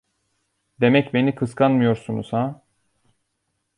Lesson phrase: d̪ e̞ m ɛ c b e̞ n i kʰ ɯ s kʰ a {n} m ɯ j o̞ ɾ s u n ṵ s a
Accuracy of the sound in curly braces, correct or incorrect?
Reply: correct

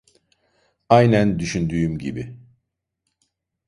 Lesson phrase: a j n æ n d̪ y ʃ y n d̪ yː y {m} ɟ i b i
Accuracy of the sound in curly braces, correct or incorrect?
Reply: correct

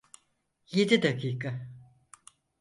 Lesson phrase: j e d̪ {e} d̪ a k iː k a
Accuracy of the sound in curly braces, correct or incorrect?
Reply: incorrect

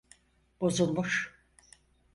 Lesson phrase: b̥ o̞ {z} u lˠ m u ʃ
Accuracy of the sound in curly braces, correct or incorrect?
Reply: correct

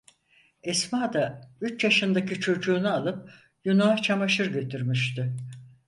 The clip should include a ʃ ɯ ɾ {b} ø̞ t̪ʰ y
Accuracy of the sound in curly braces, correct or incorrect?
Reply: incorrect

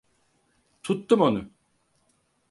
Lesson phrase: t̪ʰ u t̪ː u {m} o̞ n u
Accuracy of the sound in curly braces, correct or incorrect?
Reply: correct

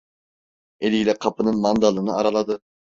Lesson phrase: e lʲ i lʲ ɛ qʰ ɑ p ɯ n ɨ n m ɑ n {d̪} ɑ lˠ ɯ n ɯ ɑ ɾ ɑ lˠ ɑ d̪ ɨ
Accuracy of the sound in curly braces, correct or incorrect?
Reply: correct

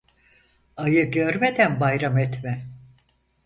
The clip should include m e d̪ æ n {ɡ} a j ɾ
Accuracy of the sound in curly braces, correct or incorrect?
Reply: incorrect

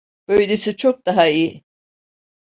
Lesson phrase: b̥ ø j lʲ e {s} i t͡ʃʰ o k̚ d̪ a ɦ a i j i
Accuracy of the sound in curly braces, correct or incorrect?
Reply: correct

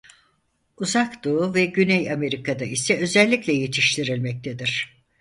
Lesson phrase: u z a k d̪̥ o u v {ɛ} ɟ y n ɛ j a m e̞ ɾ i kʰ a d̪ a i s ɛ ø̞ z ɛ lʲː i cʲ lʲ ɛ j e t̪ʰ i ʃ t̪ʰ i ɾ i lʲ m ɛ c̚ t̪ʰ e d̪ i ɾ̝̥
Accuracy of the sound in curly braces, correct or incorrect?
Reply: correct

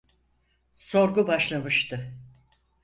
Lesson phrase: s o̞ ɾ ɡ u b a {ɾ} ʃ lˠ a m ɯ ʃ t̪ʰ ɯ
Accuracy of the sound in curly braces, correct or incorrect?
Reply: incorrect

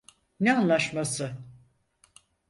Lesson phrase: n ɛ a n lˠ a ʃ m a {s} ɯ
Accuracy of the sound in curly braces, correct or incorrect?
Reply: correct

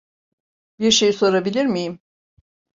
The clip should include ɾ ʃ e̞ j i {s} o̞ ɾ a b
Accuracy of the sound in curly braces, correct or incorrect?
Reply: correct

